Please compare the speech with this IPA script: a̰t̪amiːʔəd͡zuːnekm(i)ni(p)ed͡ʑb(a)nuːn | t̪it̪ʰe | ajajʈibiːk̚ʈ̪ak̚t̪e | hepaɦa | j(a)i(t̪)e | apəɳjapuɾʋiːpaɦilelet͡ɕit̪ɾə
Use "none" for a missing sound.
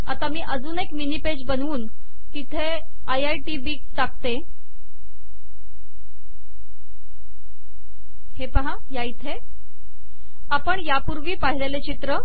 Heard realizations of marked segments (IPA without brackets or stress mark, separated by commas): i, p, ə, a, t̪ʰ